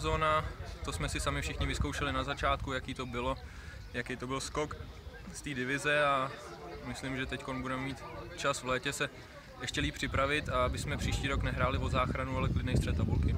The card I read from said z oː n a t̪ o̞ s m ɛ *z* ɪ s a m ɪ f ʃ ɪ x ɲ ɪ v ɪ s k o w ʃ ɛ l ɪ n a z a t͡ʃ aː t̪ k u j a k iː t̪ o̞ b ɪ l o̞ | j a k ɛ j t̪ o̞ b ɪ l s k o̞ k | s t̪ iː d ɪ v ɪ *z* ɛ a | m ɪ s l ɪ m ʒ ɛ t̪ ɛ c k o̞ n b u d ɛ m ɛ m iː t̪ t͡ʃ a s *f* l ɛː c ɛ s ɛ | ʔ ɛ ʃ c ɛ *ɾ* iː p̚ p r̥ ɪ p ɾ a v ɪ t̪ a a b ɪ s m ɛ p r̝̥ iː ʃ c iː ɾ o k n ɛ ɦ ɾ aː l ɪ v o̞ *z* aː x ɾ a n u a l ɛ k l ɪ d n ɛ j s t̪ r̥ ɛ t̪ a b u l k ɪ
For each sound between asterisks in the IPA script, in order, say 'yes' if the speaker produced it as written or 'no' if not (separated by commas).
no, yes, no, no, yes